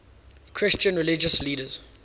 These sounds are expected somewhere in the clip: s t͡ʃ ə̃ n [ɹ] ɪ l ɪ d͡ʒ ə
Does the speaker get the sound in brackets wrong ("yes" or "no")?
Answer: no